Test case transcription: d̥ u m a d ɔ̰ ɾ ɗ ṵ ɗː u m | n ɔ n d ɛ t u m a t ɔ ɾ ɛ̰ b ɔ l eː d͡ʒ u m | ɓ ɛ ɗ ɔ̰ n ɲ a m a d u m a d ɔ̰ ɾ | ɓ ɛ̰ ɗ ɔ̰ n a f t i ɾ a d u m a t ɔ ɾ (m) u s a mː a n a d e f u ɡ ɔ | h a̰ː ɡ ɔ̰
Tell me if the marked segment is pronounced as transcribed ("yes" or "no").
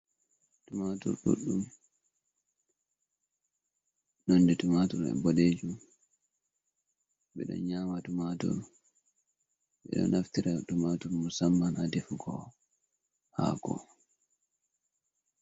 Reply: yes